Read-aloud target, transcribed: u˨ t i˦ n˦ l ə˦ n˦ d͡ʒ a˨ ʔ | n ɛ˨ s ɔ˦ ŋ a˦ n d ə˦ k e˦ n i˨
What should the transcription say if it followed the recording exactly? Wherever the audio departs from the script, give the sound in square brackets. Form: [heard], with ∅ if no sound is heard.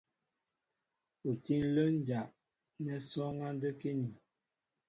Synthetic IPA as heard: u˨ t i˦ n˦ l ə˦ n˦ d͡ʒ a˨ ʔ | n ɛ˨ s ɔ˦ ŋ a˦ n d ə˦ k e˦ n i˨